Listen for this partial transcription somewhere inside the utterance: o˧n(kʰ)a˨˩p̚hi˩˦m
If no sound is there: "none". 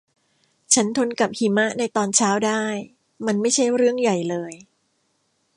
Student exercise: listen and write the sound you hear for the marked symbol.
k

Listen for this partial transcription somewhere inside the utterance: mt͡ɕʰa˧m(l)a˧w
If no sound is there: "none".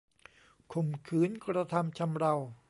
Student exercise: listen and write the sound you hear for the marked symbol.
ɾ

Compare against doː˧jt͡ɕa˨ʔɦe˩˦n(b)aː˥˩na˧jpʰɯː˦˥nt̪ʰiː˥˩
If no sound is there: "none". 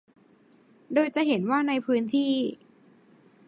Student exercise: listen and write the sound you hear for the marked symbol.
w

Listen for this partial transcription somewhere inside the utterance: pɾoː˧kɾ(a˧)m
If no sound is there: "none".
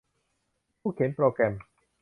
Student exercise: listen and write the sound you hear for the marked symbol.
ɛ˧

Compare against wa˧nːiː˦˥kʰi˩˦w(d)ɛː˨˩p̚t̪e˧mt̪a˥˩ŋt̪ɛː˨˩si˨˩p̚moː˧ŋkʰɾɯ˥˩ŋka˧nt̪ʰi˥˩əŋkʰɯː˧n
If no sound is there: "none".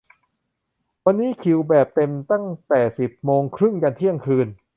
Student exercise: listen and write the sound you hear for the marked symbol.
b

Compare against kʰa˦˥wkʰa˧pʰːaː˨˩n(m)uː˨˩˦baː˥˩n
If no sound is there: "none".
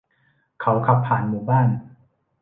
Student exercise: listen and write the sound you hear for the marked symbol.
m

